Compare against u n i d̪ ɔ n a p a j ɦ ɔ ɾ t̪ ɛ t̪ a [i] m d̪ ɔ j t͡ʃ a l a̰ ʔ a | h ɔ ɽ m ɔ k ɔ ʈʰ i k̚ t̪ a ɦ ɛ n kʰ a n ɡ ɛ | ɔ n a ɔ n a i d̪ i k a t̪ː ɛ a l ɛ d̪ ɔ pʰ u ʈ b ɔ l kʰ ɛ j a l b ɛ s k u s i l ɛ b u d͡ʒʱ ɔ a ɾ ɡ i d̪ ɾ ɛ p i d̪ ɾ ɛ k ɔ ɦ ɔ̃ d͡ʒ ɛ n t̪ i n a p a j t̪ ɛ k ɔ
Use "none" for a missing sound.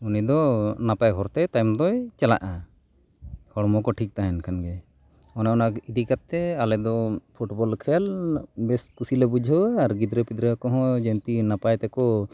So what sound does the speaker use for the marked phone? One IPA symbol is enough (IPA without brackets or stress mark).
j